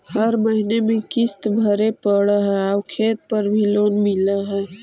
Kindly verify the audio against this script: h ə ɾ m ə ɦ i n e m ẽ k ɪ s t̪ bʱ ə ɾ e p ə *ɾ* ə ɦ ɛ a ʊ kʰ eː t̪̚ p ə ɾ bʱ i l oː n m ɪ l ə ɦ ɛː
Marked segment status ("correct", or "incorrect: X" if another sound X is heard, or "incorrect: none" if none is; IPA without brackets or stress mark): incorrect: ɽ